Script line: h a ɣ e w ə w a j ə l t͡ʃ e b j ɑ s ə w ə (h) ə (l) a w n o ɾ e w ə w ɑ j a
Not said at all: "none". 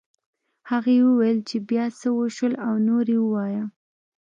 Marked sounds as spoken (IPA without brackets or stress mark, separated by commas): ʃ, l